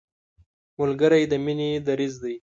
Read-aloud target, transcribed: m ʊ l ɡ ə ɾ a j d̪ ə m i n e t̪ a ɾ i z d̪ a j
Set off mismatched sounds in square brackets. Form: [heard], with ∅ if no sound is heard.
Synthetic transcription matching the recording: m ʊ l ɡ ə ɾ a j d̪ ə m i n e [d̪] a ɾ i z d̪ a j